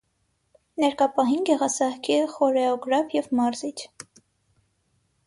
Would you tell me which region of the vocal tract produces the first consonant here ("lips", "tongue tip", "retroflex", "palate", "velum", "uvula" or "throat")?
tongue tip